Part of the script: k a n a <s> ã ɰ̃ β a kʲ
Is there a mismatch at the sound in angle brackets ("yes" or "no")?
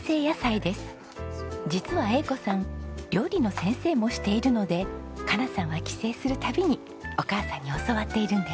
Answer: no